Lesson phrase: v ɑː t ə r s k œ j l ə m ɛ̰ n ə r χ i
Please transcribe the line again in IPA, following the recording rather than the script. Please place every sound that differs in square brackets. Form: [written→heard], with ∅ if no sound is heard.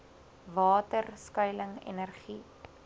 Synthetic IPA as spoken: v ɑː t ə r s k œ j l ə [m→ŋ] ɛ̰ n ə r χ i